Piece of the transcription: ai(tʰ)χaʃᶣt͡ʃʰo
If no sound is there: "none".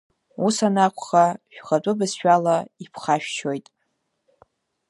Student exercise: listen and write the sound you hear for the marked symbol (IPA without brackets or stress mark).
pʰ